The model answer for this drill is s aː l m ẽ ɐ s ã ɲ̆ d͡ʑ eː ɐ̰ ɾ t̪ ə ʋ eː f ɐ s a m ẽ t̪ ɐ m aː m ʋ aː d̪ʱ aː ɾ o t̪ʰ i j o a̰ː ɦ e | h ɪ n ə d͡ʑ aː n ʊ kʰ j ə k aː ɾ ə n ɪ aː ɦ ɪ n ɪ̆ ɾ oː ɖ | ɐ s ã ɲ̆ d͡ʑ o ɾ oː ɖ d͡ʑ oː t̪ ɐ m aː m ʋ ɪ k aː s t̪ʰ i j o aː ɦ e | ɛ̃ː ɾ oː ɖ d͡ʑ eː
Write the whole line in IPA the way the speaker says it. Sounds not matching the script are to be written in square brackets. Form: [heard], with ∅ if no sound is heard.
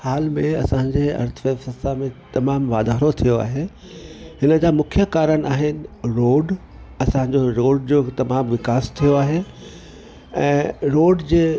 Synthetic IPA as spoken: [h] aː l m ẽ ɐ s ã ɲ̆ d͡ʑ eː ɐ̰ ɾ [t̪ʰ] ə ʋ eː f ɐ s a m ẽ t̪ ɐ m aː m ʋ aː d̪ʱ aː ɾ o t̪ʰ i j o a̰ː ɦ e | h ɪ n ə d͡ʑ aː [m] ʊ kʰ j ə k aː ɾ ə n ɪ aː ɦ ɪ n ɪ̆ ɾ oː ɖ | ɐ s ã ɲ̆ d͡ʑ o ɾ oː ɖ d͡ʑ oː t̪ ɐ m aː m ʋ ɪ k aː s t̪ʰ i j o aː ɦ e | ɛ̃ː ɾ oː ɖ d͡ʑ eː

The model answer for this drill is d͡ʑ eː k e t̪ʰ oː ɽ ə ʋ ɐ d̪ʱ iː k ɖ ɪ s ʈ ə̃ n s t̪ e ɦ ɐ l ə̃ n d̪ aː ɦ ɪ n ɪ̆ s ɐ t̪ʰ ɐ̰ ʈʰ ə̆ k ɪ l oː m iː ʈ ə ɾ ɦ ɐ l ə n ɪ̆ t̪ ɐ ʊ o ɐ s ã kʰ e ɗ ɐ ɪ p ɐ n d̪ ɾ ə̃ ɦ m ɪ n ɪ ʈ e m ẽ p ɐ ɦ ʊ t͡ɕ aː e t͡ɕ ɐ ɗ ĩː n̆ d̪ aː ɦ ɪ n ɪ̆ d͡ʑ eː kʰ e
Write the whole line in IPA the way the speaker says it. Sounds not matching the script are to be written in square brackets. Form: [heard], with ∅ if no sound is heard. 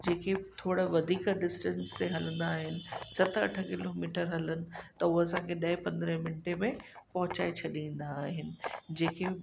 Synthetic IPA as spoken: d͡ʑ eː k e t̪ʰ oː ɽ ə ʋ ɐ d̪ʱ iː k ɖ ɪ s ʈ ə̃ n s t̪ e ɦ ɐ l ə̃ n d̪ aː ɦ ɪ n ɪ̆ s ɐ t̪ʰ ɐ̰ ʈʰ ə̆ k ɪ l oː m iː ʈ ə ɾ ɦ ɐ l ə n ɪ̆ t̪ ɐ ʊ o ɐ s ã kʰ e ɗ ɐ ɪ p [ɐ̃] n d̪ ɾ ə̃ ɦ m ɪ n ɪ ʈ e m ẽ p ɐ ɦ ʊ t͡ɕ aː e [t͡ɕʰ] ɐ ɗ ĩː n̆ d̪ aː ɦ ɪ n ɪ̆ d͡ʑ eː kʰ e

